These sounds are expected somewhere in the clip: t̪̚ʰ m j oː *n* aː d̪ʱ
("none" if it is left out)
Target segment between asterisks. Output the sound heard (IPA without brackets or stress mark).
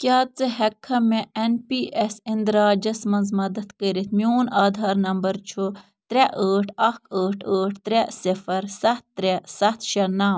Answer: n